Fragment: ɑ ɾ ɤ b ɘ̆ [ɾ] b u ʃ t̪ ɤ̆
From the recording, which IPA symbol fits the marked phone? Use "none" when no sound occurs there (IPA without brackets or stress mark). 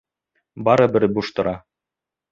ɾ